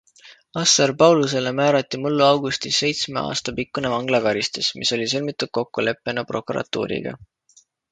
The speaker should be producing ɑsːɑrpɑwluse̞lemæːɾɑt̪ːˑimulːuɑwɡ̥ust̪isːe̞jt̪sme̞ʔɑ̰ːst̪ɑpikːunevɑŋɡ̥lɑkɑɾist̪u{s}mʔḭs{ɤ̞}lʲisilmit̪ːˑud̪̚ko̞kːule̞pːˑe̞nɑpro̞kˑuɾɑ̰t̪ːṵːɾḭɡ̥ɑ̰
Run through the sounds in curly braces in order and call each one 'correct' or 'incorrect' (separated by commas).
correct, incorrect